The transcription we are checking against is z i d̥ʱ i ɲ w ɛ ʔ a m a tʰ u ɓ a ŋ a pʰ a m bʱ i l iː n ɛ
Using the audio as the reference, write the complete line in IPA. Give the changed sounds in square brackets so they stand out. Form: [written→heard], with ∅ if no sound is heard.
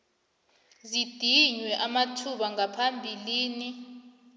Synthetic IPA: z i d̥ʱ i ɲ w ɛ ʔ a m a tʰ u ɓ a ŋ a pʰ a m bʱ i l iː n [ɛ→i]